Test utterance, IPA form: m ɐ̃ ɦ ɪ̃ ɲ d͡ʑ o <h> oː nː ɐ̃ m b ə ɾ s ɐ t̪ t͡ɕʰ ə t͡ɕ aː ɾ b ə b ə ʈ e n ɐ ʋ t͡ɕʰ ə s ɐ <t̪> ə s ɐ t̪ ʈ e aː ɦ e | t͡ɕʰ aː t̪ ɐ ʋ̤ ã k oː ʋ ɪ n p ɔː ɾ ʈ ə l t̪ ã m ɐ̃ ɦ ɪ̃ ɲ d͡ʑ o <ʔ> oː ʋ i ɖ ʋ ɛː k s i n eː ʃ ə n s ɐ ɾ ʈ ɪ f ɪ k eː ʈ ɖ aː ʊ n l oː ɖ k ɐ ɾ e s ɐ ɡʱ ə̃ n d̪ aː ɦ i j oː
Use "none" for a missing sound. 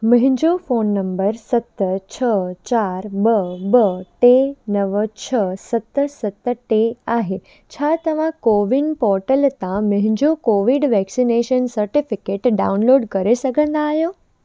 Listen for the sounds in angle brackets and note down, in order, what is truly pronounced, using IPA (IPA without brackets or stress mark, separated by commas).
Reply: f, t̪, k